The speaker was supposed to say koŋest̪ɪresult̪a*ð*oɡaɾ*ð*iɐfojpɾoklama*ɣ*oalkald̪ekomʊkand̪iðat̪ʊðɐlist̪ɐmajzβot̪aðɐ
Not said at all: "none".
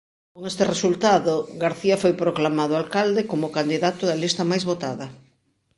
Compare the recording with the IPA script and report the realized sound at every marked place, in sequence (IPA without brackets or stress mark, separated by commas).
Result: ð, θ, ð